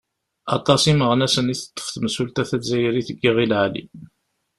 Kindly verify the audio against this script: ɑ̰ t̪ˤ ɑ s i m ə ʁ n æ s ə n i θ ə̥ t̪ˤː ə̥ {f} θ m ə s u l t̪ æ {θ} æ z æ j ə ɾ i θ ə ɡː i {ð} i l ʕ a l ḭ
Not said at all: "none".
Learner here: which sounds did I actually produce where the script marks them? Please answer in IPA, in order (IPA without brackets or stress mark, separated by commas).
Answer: f, θ, ʁ